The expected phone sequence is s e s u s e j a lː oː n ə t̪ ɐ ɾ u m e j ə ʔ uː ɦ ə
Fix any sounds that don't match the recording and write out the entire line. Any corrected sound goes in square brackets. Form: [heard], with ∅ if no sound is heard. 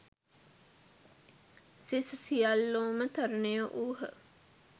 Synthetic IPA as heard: s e s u s [i] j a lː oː [m] ə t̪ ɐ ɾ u [n] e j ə ʔ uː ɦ ə